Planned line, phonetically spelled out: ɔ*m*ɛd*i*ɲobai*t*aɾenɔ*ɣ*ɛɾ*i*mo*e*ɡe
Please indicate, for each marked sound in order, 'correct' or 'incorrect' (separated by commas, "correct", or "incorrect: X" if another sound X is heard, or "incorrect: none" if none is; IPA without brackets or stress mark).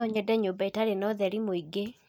incorrect: ɲ, incorrect: ɛ, correct, incorrect: ð, correct, incorrect: i